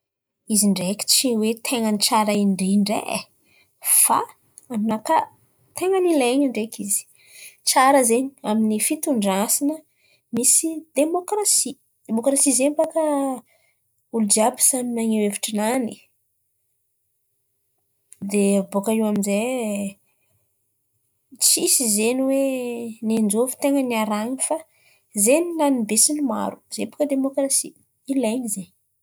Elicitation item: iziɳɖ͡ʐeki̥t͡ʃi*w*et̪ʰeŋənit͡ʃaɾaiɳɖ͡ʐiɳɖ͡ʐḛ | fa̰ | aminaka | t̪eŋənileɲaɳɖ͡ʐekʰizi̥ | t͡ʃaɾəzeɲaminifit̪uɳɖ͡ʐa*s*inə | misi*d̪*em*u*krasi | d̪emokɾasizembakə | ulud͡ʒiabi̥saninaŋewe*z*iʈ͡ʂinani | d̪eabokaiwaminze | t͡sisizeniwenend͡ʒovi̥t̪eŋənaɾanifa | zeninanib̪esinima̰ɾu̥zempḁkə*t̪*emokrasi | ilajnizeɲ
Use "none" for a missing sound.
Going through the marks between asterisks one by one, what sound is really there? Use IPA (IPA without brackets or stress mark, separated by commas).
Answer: w, s, d̪, o, v, d̪